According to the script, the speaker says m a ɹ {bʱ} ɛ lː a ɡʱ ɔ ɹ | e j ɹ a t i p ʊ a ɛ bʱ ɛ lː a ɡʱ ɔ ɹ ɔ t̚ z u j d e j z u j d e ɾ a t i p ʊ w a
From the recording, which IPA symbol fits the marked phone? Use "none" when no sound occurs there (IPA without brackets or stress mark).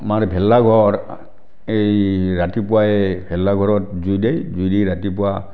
bʱ